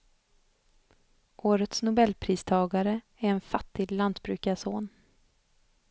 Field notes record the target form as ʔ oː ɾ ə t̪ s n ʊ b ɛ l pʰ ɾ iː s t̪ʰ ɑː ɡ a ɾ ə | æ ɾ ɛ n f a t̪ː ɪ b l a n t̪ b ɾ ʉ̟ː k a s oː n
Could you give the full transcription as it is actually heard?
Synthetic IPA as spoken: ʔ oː ɾ ə t̪ s n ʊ b ɛ l pʰ ɾ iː s t̪ʰ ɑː ɡ a ɾ ə | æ ɾ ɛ n f a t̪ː ɪ ɡ l a n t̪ b ɾ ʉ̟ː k a s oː n

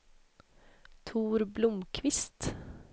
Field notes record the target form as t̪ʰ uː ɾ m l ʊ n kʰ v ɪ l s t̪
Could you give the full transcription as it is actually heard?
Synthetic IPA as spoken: t̪ʰ uː ɾ b l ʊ m kʰ ʋ ɪ s t̪

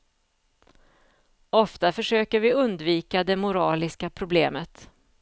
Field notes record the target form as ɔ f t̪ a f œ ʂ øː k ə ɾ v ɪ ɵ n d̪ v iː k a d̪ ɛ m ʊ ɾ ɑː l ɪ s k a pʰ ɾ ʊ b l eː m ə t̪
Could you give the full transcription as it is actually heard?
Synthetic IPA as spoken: ɔ f t̪ a f œ ʂ øː k ə ɾ v ɪ ɵ n d̪ v iː k a d̪ ɛ m ʊ ɾ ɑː l ɪ s k a pʰ ɾ ʊ b l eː m ə t̪

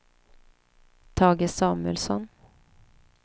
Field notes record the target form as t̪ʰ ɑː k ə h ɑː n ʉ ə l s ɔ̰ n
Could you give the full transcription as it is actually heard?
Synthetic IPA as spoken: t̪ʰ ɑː ɡ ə s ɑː m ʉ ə l s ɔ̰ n

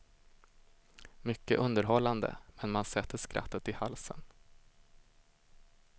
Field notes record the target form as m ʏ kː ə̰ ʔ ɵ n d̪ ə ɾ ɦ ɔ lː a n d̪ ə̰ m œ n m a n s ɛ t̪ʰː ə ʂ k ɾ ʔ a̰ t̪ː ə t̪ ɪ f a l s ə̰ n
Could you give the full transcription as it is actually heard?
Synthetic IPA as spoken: m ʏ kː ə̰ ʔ ɵ n d̪ ə ɾ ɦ ɔ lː a n d̪ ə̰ m ɛ n m a n s ɛ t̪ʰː ə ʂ k ɾ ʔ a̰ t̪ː ə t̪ ɪ h a l s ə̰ n

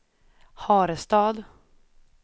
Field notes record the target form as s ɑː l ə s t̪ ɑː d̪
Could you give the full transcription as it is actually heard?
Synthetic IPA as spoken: h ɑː ɾ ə s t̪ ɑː d̪

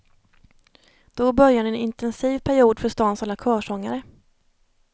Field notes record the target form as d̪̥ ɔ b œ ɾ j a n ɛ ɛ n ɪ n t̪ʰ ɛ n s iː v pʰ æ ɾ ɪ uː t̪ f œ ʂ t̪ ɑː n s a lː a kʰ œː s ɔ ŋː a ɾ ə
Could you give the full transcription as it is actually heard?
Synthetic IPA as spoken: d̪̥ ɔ b œ ɾ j a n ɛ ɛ n ɪ n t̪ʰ ɛ n s iː v pʰ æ ɾ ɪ uː d̪ f œ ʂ t̪ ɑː n s a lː a kʰ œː ʂ ɔ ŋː a ɾ ə

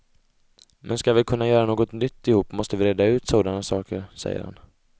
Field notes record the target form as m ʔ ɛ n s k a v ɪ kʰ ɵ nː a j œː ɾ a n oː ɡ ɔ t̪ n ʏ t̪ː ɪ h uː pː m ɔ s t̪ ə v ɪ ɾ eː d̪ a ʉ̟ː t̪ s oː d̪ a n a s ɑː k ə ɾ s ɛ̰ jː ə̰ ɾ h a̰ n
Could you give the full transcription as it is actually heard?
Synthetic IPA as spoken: m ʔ ɛ n s k a v ɪ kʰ ɵ nː a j œː ɾ a n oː ɡ ɔ t̪ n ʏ t̪ː ɪ h uː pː m ɔ s t̪ ə v ɪ ɾ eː d̪ a ʉ̟ː t̪ s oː d̪ a n a s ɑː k ə ɾ s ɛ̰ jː ə̰ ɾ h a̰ n

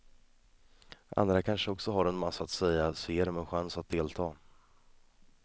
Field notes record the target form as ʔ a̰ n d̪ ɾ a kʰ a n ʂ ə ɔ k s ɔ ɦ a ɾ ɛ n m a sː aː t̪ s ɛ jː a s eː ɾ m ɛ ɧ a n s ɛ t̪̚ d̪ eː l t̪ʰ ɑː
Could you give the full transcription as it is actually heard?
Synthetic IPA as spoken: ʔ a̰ n d̪ ɾ a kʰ a n ʂ ə ɔ k s ɔ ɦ a ɾ ɛ n m a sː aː t̪ s ɛ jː a s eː ɾ m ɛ ɧ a n s a t̪̚ d̪ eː l t̪ʰ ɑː

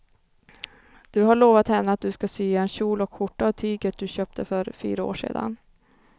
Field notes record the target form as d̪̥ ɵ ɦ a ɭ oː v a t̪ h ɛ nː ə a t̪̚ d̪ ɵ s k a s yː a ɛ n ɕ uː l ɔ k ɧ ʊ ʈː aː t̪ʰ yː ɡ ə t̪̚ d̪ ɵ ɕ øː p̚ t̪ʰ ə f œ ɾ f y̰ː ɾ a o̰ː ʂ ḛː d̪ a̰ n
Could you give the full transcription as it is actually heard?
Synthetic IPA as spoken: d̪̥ ɵ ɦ a ɭ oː v a t̪ h ɛ nː ə a t̪̚ d̪ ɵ s k a s yː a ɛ n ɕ uː l ɔ k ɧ ʊ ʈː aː t̪ʰ yː ɡ ə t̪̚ d̪ ɵ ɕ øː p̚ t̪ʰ ə f œ ɾ f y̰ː ɾ a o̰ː ʂ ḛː d̪ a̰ n

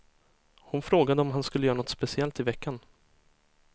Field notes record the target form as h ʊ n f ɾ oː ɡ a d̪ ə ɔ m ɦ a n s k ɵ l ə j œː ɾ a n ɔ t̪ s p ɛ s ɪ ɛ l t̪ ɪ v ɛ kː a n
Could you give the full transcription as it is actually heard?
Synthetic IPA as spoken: h ʊ n f ɾ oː ɡ a d̪ ə ɔ m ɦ a n s k ɵ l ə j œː ɾ a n ɔ t̪ s p ɛ s ɪ ɛ l t̪ ɪ v ɛ kː a n

